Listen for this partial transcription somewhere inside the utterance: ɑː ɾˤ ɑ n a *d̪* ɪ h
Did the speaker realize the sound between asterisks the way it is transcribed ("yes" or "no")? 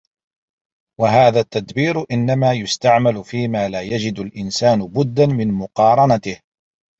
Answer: no